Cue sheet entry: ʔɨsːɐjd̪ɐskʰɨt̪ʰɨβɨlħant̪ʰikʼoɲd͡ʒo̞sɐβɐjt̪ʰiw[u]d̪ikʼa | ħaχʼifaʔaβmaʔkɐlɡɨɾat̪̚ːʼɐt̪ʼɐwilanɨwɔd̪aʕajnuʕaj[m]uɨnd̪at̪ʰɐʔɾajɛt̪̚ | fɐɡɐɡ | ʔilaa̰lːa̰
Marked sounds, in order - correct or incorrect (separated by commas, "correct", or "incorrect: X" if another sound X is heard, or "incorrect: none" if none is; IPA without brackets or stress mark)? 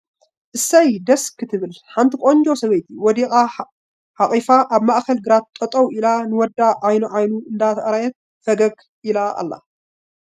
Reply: incorrect: ɔ, incorrect: n